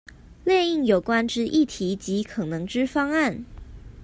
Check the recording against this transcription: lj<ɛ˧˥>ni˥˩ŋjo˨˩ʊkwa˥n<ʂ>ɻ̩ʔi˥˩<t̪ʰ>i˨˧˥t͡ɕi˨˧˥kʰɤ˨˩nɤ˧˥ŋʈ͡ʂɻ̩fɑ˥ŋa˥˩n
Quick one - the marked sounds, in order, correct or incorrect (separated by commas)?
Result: incorrect, incorrect, correct